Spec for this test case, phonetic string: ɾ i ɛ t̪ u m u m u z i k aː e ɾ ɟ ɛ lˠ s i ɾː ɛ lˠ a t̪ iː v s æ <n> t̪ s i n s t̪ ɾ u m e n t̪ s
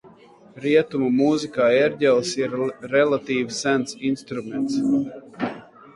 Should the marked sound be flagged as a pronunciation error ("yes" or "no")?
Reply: no